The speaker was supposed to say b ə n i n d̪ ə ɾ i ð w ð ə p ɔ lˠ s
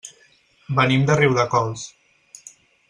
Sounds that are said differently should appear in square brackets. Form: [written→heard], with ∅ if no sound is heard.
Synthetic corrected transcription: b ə n i [n→m] d̪ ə [ɾ→r] i [ð→∅] w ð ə [p→k] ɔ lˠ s